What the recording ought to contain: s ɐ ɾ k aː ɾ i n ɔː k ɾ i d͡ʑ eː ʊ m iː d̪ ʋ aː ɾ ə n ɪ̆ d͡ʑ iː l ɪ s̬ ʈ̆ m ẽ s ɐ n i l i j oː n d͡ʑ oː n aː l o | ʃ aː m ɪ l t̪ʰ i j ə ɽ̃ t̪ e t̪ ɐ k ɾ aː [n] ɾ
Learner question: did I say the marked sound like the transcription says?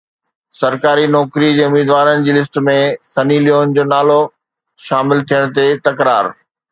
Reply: no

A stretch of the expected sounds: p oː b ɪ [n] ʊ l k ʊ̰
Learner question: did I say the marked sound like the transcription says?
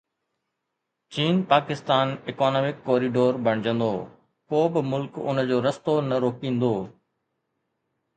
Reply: no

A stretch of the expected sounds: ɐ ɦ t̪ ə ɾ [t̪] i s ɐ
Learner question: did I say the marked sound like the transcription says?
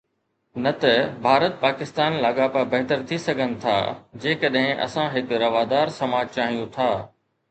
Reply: no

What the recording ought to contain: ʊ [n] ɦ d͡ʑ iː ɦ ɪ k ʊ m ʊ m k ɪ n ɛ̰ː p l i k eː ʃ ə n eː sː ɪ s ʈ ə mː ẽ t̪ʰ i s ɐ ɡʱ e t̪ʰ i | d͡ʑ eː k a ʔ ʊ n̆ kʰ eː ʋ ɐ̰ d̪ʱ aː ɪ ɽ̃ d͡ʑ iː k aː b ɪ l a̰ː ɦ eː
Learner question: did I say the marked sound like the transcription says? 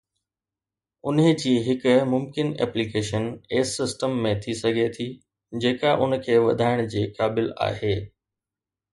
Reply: yes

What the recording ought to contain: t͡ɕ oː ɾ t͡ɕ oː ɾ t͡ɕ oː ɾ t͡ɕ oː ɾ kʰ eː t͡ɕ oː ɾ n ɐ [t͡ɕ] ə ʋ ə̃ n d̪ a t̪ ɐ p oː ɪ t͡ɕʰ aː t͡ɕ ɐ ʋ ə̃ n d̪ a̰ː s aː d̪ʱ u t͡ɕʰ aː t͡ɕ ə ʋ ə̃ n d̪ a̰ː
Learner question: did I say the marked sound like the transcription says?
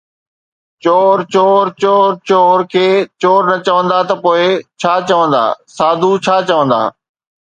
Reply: yes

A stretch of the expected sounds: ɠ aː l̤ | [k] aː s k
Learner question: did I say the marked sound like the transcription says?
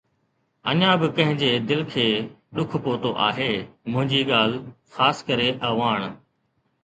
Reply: no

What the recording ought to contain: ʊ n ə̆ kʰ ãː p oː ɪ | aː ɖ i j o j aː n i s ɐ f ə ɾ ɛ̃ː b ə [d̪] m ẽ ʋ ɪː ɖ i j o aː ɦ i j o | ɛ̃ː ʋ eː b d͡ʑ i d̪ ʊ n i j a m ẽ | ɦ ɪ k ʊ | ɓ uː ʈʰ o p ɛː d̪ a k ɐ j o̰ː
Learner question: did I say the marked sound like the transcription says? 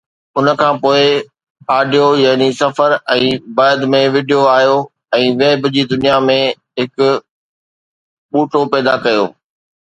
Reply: yes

